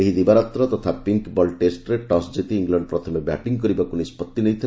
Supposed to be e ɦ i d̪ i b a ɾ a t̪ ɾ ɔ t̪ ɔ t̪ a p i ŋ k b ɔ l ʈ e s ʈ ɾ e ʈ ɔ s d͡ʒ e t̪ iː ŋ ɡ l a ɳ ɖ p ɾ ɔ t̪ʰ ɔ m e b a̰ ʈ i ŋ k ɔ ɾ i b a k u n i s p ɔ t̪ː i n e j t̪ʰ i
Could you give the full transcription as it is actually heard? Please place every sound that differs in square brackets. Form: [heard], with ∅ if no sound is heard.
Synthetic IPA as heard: e ɦ i d̪ i b a ɾ a t̪ ɾ ɔ t̪ ɔ [t̪ʰ] a p i ŋ k b ɔ l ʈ e s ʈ ɾ e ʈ ɔ s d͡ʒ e t̪ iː ŋ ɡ l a ɳ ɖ p ɾ ɔ t̪ʰ ɔ m e b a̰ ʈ i ŋ k ɔ ɾ i b a k u n i s p ɔ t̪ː i n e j t̪ʰ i